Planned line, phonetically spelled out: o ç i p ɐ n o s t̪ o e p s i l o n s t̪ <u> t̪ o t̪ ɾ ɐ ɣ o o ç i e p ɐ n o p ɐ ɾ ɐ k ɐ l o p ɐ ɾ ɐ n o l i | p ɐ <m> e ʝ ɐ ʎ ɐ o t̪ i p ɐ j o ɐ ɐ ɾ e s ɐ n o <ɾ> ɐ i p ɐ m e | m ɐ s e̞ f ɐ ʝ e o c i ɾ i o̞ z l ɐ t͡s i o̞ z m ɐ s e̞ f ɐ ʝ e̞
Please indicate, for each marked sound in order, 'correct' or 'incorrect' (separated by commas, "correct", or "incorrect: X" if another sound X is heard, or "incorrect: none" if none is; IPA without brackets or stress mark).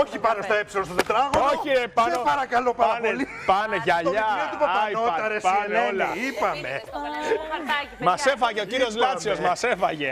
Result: incorrect: o, incorrect: n, incorrect: l